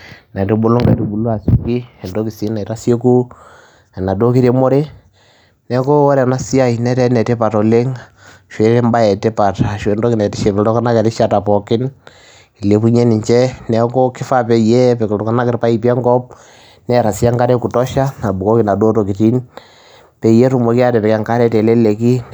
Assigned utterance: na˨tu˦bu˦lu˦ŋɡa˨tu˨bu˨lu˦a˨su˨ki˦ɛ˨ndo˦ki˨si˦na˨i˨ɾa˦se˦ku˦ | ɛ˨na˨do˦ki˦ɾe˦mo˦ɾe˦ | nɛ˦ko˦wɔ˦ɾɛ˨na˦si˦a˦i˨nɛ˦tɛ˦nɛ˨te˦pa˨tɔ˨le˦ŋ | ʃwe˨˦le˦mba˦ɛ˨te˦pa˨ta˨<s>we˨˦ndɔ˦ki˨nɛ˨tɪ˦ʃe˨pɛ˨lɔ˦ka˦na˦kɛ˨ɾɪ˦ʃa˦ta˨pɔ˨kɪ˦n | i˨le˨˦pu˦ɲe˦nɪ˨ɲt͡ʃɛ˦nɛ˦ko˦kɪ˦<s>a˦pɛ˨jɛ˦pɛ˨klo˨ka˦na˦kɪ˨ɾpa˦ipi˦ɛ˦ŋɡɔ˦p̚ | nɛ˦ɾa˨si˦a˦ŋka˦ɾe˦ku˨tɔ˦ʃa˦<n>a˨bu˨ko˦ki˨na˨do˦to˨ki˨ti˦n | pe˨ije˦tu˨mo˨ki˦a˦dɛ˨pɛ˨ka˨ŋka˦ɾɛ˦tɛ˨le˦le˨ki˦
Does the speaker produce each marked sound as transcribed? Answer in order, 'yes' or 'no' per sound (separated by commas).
no, no, yes